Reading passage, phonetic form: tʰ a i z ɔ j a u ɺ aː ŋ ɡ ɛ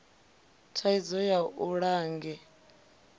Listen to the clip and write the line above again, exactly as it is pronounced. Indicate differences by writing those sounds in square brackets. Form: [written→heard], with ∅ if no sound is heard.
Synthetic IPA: tʰ a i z ɔ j a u ɺ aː ŋ ɡ ɛ